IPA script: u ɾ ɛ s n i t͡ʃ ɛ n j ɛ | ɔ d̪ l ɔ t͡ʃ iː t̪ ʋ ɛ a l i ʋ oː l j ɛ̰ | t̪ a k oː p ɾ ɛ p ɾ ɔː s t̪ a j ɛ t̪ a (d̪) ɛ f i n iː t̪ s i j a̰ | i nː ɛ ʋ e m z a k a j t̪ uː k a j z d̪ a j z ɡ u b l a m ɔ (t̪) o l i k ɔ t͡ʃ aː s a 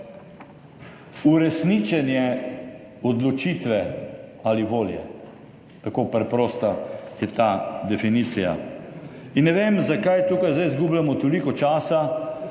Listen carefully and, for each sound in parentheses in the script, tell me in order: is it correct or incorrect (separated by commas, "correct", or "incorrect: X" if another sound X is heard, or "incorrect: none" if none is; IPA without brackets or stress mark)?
correct, correct